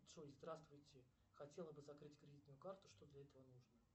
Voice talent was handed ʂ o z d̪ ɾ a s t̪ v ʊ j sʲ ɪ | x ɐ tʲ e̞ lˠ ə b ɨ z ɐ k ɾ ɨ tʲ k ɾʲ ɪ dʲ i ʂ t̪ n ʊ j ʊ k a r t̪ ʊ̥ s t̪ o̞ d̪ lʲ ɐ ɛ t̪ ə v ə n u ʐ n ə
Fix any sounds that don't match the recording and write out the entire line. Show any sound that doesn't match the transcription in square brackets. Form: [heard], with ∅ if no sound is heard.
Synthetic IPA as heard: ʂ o z d̪ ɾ a s t̪ v ʊ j [tʲ] ɪ | x ɐ tʲ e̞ lˠ ə b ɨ z ɐ k ɾ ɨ tʲ k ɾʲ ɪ dʲ i [∅] t̪ n ʊ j ʊ k a r t̪ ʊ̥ [ʂ] t̪ o̞ d̪ lʲ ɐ ɛ t̪ ə v ə n u ʐ n ə